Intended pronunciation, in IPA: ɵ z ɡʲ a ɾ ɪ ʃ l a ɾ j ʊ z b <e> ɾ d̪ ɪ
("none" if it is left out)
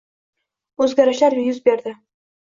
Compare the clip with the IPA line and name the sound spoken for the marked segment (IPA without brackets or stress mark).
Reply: e